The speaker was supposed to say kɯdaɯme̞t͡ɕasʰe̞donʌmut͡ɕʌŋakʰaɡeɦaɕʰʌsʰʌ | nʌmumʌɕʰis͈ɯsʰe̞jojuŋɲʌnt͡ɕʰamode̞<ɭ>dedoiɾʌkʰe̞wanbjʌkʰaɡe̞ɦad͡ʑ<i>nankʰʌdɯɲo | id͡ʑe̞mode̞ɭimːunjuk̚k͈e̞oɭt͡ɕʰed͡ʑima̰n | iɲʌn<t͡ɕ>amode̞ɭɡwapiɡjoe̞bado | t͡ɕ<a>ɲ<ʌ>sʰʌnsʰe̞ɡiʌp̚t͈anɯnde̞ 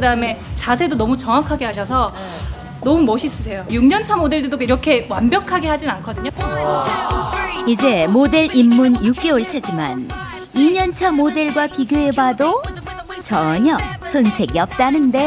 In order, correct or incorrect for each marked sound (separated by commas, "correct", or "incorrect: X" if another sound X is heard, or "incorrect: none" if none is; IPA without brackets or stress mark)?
correct, correct, incorrect: t͡ɕʰ, incorrect: ʌ, correct